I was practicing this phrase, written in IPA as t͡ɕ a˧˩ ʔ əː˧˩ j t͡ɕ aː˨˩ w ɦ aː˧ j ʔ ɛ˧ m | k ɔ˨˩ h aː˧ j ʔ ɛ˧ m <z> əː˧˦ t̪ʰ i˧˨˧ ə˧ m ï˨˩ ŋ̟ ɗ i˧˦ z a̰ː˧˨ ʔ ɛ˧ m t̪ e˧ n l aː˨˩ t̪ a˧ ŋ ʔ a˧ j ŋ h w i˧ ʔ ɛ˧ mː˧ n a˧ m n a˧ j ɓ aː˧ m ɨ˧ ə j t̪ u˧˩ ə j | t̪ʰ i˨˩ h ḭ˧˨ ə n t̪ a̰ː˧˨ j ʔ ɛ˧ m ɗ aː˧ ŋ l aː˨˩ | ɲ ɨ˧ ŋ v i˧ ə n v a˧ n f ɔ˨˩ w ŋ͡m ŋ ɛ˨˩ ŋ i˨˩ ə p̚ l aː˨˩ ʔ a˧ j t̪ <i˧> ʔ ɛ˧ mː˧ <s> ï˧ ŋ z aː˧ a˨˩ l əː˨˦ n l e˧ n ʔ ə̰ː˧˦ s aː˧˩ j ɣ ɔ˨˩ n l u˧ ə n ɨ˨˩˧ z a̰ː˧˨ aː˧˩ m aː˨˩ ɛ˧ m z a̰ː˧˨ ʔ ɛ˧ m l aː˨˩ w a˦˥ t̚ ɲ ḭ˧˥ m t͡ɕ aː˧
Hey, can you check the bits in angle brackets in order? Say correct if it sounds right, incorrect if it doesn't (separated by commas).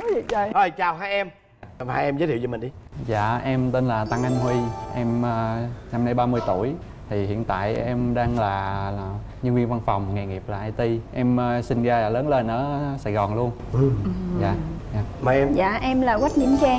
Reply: correct, correct, correct